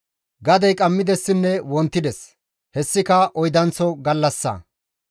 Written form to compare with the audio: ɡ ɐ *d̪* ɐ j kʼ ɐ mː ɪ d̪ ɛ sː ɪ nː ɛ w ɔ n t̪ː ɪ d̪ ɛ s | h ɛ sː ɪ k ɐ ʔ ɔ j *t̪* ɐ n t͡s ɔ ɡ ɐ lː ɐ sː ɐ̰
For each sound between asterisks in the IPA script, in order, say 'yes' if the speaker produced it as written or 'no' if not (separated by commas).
yes, no